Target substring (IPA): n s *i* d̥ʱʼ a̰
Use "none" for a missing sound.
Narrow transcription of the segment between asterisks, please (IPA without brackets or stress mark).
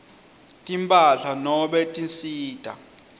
iː